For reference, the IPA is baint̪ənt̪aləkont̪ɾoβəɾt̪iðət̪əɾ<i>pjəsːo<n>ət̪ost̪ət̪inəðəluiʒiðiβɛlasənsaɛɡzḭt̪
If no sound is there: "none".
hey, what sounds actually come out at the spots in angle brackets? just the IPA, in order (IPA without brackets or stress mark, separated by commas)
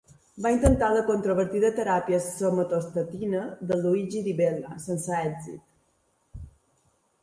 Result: a, m